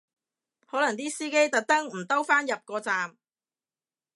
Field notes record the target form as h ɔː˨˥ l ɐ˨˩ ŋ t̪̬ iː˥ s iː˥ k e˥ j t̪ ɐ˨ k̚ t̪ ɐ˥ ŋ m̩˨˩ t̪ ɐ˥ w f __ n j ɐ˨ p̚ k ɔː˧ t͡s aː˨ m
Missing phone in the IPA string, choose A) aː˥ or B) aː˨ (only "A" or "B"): A